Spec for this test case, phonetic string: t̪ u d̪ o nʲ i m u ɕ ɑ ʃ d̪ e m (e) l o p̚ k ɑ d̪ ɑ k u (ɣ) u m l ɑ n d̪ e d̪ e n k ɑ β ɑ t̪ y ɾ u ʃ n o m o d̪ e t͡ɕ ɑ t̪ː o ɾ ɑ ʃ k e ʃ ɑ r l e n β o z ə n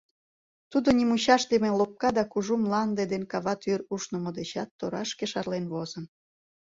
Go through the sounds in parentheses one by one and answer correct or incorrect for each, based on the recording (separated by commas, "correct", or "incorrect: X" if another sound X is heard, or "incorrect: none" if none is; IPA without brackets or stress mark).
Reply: correct, incorrect: ʒ